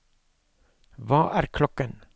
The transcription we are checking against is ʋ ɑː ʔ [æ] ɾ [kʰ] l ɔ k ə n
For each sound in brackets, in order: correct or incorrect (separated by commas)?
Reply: incorrect, correct